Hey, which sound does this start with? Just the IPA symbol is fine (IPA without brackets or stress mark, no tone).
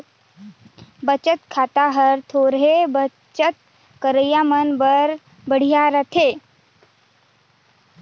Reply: b